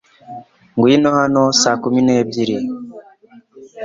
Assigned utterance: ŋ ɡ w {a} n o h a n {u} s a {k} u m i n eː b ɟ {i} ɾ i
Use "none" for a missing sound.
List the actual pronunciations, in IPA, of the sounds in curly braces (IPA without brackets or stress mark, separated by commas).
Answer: i, o, k, i